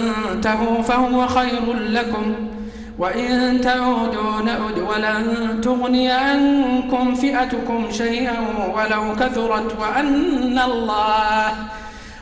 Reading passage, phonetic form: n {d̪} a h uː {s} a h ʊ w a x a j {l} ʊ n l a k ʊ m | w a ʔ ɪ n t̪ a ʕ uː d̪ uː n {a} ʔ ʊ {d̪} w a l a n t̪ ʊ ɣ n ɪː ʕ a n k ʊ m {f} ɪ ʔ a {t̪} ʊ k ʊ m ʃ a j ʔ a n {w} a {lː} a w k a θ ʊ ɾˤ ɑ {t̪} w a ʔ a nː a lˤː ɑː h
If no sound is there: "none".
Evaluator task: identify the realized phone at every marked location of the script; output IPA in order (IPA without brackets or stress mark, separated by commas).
t̪, f, ɾ, a, d̪, f, t̪, w, l, t̪